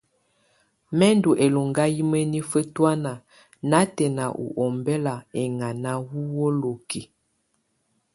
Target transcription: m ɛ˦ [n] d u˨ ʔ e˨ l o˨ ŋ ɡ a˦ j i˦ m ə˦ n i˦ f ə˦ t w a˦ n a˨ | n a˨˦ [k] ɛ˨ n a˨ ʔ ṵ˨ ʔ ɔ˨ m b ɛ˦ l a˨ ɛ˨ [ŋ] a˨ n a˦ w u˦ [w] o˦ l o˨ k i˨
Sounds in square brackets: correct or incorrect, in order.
correct, incorrect: t, correct, correct

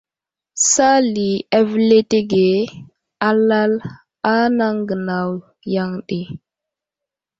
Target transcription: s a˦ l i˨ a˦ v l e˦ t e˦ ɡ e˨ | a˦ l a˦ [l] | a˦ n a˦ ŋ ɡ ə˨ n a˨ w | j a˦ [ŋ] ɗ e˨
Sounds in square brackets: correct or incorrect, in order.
correct, correct

